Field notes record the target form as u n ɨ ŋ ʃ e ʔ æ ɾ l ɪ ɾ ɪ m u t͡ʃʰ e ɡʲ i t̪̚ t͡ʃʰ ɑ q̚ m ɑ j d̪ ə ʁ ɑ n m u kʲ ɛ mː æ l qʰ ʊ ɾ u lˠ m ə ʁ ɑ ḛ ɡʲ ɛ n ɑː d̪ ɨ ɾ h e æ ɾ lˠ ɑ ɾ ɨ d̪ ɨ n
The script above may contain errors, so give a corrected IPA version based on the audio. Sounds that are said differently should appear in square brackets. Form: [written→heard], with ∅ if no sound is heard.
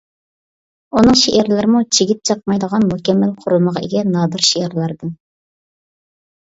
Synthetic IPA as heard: u n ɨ ŋ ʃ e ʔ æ ɾ l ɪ ɾ ɪ m u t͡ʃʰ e ɡʲ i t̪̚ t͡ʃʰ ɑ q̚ m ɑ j d̪ ə ʁ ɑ n m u kʲ ɛ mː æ l qʰ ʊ ɾ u lˠ m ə ʁ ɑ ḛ ɡʲ ɛ n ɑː d̪ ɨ ɾ [h→ʃ] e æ ɾ lˠ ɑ ɾ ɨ d̪ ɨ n